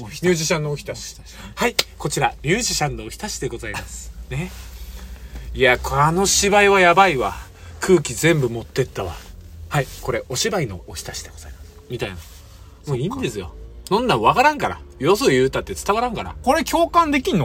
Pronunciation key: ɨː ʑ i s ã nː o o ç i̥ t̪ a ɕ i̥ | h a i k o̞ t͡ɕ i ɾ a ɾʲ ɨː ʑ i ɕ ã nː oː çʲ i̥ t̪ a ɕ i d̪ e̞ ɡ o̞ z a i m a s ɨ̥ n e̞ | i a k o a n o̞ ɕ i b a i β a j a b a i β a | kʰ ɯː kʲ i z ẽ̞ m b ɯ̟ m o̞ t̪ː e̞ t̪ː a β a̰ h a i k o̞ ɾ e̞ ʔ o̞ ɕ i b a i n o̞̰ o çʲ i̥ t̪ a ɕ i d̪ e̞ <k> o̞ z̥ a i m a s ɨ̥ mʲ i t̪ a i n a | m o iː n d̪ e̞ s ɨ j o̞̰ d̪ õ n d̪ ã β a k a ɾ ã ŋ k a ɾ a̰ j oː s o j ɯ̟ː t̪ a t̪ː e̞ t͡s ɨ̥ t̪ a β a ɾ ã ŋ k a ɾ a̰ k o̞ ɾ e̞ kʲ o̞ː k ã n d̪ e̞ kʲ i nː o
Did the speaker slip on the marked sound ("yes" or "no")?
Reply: yes